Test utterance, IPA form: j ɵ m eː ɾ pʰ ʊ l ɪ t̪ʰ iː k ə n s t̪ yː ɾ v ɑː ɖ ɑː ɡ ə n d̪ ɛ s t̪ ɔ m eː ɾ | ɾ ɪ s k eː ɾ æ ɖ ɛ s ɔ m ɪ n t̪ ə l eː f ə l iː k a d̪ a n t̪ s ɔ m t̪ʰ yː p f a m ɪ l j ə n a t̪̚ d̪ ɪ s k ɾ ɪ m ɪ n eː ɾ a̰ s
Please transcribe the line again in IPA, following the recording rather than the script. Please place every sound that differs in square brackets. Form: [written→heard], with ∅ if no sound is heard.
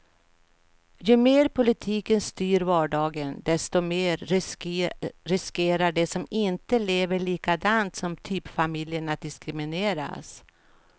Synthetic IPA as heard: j ɵ m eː ɾ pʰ ʊ l ɪ t̪ʰ iː k ə n s t̪ yː ɾ v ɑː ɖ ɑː ɡ ə n d̪ ɛ s t̪ ɔ m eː ɾ | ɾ ɪ s k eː ɾ [æ→a] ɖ ɛ s ɔ m ɪ n t̪ ə l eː [f→v] ə [l→ɭ] iː k a d̪ a n t̪ s ɔ m t̪ʰ yː p f a m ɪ l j ə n a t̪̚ d̪ ɪ s k ɾ ɪ m ɪ n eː ɾ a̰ s